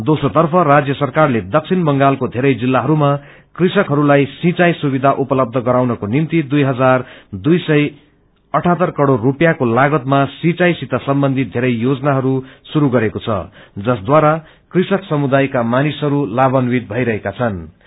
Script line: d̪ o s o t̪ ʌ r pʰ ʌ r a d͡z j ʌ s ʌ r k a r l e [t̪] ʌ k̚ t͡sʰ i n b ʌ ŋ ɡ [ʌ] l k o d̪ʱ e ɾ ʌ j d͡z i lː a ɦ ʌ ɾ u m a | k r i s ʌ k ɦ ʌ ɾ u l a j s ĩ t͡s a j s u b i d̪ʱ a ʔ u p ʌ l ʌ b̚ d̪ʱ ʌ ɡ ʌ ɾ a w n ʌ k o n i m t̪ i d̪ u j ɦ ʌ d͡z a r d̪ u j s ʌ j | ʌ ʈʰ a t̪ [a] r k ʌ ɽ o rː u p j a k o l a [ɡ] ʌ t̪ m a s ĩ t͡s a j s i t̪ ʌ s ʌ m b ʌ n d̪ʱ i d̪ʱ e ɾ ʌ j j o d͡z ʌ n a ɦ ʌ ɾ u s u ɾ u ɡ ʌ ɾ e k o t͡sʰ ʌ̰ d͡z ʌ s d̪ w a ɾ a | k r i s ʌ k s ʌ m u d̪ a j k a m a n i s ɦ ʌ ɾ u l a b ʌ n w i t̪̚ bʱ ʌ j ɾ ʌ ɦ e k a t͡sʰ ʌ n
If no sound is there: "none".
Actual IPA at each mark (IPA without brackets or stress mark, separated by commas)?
d̪, a, ʌ, ɡ